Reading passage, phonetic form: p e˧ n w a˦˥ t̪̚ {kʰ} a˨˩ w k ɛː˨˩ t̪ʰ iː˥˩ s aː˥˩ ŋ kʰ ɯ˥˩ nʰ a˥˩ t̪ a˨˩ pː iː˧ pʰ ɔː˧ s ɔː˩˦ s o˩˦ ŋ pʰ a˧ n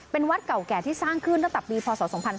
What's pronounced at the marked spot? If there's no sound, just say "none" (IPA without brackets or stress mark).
k